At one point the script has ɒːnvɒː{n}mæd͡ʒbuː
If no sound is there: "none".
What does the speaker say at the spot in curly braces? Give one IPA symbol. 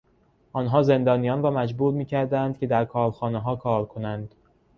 none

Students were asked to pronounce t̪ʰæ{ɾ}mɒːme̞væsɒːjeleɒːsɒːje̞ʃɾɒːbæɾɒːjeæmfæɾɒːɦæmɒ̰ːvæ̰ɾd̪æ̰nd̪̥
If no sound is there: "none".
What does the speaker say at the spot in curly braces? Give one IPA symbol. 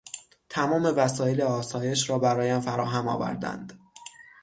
none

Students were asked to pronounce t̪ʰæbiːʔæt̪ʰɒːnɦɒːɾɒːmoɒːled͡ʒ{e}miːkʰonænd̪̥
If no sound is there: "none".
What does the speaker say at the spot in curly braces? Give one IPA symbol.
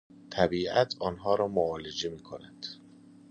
e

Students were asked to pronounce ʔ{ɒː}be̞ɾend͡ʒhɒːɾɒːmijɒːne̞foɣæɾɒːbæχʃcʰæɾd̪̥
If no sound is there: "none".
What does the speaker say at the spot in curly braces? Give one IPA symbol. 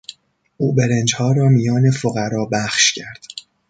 uː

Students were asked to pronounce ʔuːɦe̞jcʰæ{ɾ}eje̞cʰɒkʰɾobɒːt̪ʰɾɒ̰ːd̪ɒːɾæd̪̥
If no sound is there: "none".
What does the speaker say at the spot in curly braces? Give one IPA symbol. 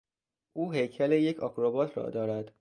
l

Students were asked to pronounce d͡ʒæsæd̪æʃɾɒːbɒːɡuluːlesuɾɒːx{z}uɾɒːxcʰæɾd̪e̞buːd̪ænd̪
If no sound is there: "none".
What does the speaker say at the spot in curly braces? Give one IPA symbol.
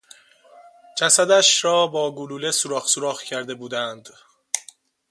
s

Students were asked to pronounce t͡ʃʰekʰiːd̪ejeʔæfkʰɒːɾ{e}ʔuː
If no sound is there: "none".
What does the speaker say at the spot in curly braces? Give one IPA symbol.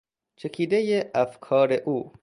e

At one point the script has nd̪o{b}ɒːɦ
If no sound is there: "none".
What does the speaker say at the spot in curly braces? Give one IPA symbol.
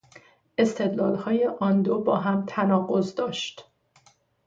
b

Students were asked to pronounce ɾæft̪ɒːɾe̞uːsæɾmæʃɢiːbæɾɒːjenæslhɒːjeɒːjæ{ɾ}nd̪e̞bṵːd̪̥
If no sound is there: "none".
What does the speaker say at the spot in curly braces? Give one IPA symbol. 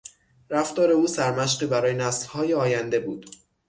none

